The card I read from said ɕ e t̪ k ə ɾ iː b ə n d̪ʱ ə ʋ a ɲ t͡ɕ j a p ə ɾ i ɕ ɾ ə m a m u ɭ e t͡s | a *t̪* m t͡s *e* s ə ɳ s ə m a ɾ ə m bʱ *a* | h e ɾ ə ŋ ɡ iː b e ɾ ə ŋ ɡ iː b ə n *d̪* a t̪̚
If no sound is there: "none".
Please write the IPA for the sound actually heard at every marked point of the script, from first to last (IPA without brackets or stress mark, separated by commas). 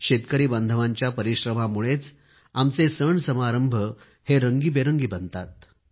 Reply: none, e, ə, t̪